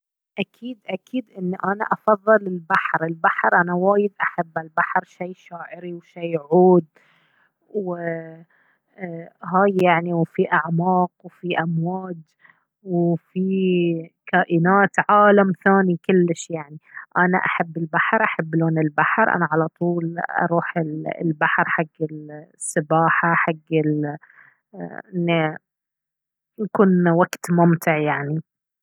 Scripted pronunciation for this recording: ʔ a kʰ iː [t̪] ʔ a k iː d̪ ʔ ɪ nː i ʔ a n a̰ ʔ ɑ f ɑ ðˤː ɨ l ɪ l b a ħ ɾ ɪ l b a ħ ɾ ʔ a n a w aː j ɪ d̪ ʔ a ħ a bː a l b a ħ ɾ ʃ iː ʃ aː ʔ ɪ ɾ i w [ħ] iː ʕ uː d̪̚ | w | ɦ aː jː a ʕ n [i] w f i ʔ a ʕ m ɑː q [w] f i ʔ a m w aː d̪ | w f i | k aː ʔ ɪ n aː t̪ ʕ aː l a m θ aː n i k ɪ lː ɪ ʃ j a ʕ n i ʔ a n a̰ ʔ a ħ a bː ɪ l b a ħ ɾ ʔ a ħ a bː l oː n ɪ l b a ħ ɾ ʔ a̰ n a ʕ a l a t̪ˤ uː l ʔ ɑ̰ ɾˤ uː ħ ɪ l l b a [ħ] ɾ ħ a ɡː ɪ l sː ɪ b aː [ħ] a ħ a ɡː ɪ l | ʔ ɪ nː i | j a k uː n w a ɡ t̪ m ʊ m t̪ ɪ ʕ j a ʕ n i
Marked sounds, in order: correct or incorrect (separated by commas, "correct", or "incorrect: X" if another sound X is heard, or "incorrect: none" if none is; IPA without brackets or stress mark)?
incorrect: d̪, incorrect: ʃ, correct, correct, correct, correct